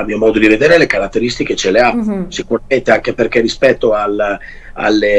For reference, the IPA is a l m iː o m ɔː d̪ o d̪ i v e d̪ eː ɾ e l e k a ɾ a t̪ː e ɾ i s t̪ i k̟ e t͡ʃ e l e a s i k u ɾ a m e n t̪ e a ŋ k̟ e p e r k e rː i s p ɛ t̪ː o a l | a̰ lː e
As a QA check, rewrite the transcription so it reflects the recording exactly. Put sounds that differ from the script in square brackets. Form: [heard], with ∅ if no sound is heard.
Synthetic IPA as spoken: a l m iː o m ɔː d̪ o d̪ i v e d̪ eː ɾ e l e k a ɾ a t̪ː e ɾ i s t̪ i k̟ e t͡ʃ e l e a s i k u ɾ a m e n t̪ e a ŋ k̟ e p e r k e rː i s p ɛ t̪ː o a l | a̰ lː e